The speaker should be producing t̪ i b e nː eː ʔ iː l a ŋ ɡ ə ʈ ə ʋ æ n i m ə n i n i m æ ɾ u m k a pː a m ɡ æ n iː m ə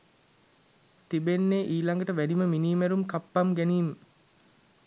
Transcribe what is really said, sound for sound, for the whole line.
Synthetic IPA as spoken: t̪ i b e nː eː ʔ iː l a ŋ ɡ ə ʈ ə ʋ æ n i m ə m i n iː m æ ɾ u m k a pː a m ɡ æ n iː m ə